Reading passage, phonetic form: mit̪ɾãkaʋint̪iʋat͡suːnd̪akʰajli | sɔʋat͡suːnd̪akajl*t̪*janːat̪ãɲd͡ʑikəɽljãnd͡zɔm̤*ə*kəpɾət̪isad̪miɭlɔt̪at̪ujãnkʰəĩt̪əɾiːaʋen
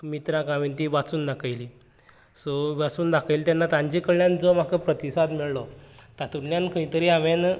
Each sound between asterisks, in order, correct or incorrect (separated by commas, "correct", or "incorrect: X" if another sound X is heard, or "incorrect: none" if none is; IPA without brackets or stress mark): correct, incorrect: a